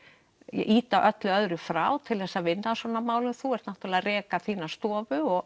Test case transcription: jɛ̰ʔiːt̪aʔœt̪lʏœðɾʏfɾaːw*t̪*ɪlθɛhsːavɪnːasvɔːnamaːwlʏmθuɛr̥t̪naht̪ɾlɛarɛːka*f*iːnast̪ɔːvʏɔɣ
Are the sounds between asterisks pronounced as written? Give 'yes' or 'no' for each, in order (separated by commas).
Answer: no, no